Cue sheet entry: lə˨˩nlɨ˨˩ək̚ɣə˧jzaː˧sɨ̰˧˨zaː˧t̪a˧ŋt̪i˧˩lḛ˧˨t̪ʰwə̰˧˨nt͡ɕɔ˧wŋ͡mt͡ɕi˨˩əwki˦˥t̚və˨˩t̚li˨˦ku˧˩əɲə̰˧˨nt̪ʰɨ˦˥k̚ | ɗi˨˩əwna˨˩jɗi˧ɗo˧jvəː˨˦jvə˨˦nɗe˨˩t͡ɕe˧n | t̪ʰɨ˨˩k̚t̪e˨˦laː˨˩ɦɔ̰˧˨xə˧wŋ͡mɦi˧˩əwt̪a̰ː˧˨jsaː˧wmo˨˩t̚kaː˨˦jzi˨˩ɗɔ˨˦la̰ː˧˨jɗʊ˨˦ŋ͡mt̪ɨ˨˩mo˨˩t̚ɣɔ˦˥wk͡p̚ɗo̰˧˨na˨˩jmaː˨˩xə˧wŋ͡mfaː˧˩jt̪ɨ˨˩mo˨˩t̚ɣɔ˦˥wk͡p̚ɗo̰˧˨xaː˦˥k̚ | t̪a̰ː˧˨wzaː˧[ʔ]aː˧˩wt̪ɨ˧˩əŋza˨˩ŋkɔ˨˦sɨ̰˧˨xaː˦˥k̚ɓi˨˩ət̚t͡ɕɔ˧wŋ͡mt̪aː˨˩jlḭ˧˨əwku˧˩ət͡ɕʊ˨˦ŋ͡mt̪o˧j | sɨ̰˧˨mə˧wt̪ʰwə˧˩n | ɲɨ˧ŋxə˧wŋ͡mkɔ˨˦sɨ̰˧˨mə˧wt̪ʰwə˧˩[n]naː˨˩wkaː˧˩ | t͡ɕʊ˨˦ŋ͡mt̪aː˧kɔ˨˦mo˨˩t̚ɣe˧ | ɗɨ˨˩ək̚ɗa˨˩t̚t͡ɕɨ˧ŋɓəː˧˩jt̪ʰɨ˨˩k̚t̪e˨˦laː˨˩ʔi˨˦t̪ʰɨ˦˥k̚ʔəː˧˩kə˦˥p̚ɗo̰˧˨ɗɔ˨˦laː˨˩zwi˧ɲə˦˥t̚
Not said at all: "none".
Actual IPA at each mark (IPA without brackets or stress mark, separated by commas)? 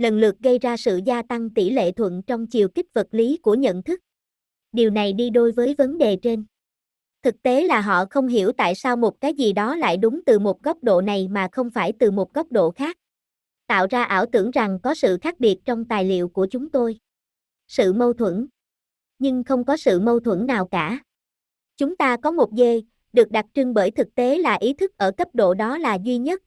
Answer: ʔ, n